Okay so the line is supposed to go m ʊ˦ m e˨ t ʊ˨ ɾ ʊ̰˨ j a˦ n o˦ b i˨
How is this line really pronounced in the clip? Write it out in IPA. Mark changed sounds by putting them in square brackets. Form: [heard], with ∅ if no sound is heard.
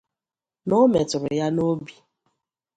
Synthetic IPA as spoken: [n] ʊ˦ m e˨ t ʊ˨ ɾ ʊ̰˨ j a˦ n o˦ b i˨